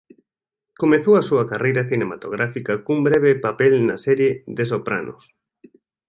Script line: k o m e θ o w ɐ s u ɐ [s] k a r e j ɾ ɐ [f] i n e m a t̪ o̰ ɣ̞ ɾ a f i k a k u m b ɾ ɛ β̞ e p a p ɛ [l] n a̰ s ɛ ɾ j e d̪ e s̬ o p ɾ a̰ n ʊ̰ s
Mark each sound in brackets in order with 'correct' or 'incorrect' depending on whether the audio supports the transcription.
incorrect, incorrect, correct

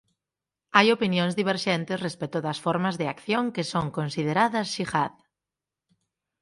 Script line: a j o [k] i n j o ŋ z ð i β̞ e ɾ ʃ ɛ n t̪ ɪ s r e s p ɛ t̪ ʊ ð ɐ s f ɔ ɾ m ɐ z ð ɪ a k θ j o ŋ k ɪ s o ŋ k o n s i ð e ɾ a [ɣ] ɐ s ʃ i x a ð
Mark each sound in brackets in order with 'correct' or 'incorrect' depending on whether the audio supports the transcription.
incorrect, incorrect

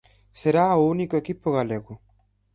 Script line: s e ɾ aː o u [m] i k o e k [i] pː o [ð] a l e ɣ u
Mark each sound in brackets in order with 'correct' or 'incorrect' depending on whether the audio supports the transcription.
incorrect, correct, incorrect

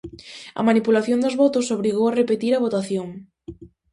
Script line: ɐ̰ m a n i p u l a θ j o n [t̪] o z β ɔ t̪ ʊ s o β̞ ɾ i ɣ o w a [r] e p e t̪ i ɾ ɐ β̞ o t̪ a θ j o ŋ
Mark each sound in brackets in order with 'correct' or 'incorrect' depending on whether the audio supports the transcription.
incorrect, correct

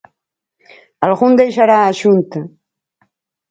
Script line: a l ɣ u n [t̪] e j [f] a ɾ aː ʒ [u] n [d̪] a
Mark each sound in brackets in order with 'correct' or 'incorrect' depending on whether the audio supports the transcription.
incorrect, incorrect, correct, incorrect

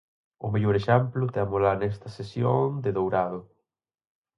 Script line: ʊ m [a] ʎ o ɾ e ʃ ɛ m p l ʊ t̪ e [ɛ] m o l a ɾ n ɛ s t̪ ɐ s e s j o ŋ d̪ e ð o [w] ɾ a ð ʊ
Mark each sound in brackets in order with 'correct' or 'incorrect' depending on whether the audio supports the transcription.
incorrect, incorrect, correct

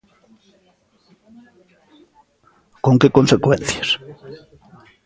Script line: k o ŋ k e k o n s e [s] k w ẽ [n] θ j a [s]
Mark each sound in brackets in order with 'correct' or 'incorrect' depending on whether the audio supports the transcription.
incorrect, correct, correct

